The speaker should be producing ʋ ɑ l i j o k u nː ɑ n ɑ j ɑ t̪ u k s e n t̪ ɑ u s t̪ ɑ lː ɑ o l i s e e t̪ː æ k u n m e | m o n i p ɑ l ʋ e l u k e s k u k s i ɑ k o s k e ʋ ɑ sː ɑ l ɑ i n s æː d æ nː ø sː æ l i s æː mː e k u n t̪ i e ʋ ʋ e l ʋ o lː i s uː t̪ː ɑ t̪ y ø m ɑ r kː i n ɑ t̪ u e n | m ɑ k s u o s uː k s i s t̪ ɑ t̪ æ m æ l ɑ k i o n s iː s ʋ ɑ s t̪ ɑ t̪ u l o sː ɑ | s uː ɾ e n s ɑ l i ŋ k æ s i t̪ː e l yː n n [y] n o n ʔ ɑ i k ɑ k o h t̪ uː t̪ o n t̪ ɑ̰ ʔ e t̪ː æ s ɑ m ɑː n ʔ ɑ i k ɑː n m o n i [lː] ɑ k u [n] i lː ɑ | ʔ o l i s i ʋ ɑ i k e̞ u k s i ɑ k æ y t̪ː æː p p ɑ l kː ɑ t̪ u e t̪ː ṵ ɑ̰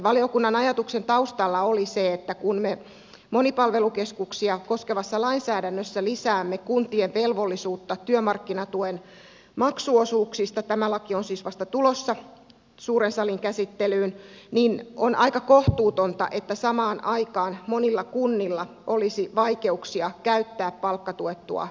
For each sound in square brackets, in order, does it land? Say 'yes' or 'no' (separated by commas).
no, yes, no